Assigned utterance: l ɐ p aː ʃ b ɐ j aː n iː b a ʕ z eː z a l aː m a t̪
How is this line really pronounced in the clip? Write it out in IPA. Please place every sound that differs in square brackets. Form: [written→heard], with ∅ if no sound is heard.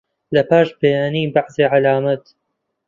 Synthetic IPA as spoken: l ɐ p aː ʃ b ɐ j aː n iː b a ʕ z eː [z→ʕ] a l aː m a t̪